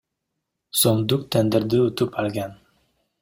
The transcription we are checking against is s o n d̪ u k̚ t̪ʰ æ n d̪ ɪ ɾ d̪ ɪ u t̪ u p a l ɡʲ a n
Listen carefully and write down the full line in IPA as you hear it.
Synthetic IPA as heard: s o m d̪ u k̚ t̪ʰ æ n d̪ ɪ ɾ d̪ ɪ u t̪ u p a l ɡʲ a n